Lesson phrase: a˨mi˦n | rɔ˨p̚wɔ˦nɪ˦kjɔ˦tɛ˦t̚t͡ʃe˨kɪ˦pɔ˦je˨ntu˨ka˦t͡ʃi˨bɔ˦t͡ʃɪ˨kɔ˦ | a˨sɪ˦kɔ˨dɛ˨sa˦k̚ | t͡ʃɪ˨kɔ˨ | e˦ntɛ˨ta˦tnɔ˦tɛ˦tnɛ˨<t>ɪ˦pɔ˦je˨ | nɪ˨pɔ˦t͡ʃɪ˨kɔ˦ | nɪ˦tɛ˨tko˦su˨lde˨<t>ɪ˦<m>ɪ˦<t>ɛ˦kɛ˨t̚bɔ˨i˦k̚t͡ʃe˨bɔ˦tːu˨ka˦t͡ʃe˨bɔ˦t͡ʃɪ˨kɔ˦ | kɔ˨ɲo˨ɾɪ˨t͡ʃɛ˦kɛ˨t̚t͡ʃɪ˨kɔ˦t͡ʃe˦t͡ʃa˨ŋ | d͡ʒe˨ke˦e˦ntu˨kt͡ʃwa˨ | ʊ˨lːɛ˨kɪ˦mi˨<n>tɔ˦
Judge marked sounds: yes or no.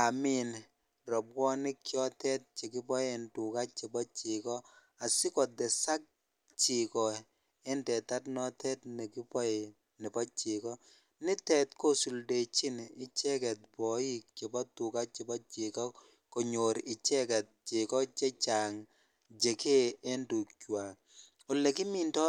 no, no, no, no, yes

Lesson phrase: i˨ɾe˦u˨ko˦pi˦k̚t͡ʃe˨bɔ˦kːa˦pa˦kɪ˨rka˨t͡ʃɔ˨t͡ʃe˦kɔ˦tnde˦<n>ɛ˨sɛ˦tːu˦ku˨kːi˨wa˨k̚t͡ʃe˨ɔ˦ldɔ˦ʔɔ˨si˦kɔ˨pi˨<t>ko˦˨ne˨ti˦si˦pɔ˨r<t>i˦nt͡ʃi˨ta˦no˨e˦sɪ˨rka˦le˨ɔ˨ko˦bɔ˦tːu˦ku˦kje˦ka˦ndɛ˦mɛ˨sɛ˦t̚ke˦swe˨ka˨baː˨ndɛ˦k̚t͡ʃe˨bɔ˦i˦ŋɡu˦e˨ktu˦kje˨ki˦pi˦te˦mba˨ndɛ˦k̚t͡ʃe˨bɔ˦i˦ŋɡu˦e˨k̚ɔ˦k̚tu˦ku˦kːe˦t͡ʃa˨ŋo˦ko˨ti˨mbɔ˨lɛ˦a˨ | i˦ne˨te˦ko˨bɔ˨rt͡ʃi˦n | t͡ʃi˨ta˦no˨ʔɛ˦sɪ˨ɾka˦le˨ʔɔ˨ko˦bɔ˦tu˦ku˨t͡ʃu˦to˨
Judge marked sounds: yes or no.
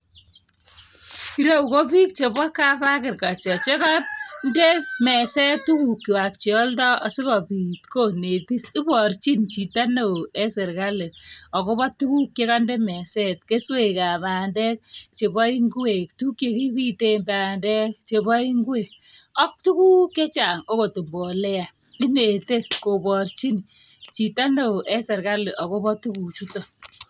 no, yes, no

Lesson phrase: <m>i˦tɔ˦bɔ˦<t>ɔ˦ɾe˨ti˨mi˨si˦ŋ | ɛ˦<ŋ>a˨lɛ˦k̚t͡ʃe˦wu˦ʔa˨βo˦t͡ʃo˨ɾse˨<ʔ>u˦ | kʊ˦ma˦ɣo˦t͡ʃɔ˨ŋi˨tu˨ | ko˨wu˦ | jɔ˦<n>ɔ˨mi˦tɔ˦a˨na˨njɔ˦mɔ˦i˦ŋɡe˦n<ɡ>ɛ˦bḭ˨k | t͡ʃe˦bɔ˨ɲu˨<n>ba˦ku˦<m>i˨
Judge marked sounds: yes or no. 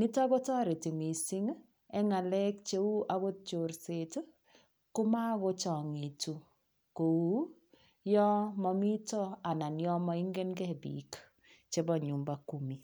no, yes, yes, no, no, yes, no, yes

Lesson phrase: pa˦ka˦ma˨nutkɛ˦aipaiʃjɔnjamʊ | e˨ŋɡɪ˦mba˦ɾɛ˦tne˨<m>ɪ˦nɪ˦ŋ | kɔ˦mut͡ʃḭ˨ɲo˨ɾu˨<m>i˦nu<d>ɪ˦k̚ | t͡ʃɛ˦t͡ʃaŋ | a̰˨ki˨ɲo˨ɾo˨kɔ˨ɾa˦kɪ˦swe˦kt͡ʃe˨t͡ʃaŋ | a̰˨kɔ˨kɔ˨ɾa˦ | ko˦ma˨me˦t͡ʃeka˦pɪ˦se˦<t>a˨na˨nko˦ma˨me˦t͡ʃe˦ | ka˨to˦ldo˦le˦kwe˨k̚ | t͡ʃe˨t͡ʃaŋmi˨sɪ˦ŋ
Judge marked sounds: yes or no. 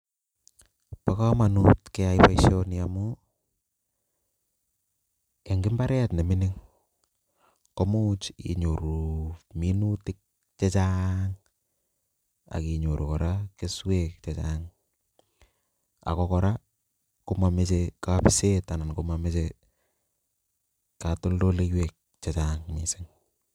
yes, yes, no, yes

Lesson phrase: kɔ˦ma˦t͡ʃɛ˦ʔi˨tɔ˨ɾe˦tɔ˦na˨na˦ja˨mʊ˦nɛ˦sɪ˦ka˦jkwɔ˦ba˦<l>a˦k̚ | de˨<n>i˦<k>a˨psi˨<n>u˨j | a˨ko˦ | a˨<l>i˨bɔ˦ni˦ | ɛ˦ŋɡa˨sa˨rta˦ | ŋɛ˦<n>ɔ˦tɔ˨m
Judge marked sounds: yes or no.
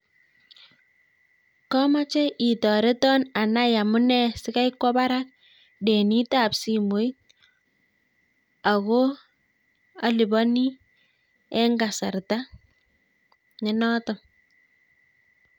no, yes, no, no, yes, yes

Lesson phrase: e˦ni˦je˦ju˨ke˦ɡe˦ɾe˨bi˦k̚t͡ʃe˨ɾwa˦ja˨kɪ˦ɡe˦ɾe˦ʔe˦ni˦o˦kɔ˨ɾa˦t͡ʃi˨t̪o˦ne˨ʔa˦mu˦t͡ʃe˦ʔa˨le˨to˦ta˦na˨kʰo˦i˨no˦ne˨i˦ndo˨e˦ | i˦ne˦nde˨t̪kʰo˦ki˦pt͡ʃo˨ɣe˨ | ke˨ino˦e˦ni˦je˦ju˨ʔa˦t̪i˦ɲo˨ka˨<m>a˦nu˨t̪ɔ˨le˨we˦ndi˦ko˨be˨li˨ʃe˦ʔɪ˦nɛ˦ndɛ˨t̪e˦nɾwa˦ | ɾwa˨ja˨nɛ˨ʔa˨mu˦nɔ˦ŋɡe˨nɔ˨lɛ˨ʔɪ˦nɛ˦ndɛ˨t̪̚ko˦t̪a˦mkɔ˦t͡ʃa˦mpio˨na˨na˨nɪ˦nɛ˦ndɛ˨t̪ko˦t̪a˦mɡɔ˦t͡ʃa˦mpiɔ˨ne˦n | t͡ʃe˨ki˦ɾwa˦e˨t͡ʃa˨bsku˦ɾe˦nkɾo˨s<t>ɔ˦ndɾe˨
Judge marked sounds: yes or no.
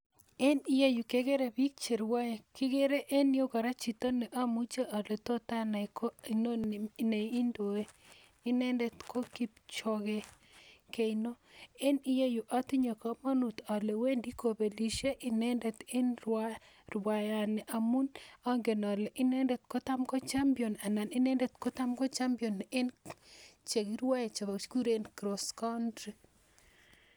yes, no

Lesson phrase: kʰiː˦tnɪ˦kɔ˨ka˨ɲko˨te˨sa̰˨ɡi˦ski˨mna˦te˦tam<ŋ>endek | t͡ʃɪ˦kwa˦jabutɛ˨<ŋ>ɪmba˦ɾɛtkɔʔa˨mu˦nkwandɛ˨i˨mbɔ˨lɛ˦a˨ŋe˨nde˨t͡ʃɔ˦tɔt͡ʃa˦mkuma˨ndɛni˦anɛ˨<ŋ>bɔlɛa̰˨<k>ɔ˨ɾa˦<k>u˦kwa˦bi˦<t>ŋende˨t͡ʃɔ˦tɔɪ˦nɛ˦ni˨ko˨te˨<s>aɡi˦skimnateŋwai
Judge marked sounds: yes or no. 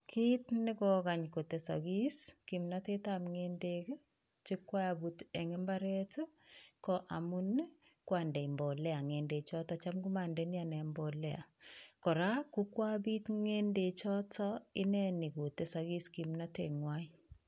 yes, yes, no, yes, yes, yes, yes

